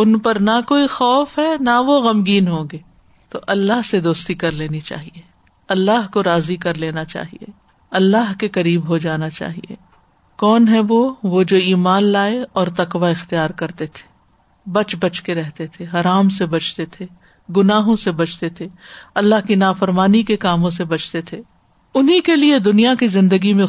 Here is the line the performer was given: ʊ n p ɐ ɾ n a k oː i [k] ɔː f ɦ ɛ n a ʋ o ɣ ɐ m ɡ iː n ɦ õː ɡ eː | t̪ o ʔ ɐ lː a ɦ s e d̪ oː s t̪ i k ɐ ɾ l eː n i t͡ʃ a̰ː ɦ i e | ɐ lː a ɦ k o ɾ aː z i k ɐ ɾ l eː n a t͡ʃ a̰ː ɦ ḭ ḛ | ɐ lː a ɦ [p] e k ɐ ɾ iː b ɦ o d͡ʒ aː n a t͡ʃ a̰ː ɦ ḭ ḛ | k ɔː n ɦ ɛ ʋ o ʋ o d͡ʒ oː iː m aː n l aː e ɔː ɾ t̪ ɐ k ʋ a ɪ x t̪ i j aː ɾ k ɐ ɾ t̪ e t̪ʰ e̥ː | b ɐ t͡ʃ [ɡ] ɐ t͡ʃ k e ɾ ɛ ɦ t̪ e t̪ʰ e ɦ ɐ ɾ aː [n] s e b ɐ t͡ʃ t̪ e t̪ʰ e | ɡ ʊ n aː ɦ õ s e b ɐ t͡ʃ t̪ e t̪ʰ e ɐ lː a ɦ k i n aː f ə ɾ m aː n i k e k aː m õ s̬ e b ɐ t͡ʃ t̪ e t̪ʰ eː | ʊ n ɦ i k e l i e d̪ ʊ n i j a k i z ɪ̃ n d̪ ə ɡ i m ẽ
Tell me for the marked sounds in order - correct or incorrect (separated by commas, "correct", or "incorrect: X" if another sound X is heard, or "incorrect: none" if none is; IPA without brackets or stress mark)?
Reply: incorrect: x, incorrect: k, incorrect: b, incorrect: m